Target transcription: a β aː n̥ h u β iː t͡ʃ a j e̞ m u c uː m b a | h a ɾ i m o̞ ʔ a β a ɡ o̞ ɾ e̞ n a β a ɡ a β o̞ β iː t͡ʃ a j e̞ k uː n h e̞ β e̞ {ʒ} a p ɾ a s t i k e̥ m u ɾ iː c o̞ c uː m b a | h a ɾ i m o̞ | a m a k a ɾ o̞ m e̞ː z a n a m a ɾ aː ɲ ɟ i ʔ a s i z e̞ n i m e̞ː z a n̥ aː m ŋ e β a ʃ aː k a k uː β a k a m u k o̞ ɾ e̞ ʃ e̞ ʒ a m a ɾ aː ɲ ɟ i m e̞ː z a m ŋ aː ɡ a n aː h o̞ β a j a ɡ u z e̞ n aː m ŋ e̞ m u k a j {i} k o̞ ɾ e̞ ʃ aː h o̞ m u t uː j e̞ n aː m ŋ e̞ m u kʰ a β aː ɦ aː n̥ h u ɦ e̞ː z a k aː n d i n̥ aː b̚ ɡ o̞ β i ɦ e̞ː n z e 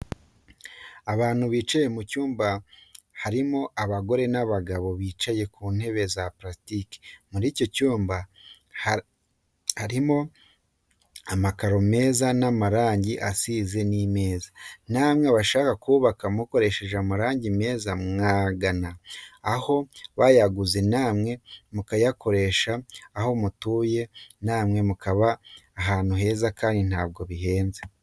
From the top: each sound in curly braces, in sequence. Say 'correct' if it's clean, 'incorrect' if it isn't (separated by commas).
incorrect, incorrect